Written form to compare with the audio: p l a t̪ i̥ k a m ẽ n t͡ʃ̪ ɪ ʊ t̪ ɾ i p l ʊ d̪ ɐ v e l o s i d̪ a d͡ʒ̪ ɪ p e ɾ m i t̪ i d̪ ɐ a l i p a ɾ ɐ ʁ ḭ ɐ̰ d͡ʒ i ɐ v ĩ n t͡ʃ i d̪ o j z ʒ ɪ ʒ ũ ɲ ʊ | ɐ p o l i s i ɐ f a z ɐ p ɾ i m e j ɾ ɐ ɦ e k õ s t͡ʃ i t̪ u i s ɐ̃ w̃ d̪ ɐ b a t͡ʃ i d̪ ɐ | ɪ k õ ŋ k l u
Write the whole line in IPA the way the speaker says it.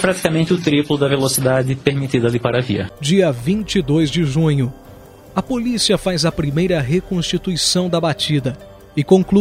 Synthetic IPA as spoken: p ɾ a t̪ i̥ k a m ẽ n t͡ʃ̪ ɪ ʊ t̪ ɾ i p l ʊ d̪ ɐ v e l o s i d̪ a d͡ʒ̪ ɪ p e ɾ m i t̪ i d̪ ɐ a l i p a ɾ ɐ v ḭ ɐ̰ d͡ʒ i ɐ v ĩ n t͡ʃ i d̪ o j z d͡ʒ ɪ ʒ ũ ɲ ʊ | ɐ p o l i s i ɐ f a z ɐ p ɾ i m e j ɾ ɐ ɦ e k õ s t͡ʃ i t̪ u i s ɐ̃ w̃ d̪ ɐ b a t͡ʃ i d̪ ɐ | ɪ k õ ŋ k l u